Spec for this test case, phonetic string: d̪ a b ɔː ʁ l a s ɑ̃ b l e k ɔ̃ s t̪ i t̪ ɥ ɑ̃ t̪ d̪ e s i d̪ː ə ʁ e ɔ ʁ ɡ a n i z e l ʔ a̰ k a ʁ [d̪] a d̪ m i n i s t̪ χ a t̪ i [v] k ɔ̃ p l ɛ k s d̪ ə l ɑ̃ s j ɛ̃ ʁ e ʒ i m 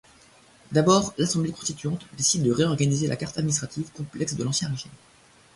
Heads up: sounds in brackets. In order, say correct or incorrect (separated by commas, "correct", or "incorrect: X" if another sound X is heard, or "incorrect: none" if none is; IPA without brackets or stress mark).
incorrect: t̪, correct